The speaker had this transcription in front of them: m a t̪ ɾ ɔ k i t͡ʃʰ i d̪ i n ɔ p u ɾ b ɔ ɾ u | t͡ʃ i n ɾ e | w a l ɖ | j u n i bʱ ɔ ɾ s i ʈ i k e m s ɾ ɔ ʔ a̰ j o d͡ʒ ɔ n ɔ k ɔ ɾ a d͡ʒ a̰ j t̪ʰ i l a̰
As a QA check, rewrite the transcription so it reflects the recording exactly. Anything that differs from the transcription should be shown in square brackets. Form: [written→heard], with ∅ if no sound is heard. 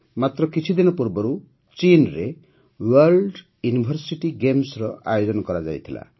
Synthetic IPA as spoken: m a t̪ ɾ ɔ k i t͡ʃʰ i d̪ i n ɔ p u ɾ b ɔ ɾ u | t͡ʃ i n ɾ e | w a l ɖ | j u n i bʱ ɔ ɾ s i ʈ i [k→ɡ] e m s ɾ ɔ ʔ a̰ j o d͡ʒ ɔ n ɔ k ɔ ɾ a d͡ʒ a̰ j t̪ʰ i l a̰